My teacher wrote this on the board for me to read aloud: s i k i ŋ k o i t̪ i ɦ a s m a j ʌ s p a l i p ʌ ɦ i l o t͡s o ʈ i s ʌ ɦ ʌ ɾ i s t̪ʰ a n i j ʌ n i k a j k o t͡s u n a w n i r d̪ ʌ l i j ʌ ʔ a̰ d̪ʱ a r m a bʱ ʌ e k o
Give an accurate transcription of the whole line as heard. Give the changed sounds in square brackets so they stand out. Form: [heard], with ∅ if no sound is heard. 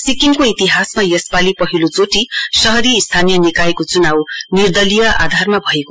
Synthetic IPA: s i k i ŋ k o i t̪ i ɦ a s m a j ʌ s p a l i p ʌ ɦ i l o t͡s o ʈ i s ʌ ɦ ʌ ɾ i s t̪ʰ a n i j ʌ n i k a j k o t͡s u n a w n i r d̪ ʌ l i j ʌ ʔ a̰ d̪ʱ a r m a bʱ ʌ e k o